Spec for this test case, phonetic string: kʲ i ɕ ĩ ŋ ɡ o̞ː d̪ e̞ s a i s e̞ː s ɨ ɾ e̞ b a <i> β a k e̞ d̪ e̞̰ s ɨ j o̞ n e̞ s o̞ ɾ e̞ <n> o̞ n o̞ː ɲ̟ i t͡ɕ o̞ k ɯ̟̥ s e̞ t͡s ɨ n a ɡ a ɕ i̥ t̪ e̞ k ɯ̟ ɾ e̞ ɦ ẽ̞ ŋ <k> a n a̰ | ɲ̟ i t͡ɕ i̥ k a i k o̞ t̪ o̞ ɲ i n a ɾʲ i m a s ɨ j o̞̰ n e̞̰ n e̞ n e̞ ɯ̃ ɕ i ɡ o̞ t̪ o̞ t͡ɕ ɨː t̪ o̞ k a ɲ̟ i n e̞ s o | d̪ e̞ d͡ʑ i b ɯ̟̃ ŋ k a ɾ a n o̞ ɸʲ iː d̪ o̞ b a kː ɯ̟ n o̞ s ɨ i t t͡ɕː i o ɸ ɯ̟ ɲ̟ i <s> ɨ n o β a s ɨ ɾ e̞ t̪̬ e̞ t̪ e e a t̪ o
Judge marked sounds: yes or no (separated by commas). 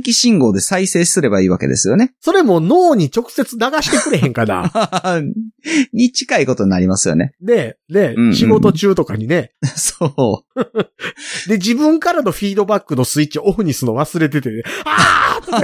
no, no, yes, yes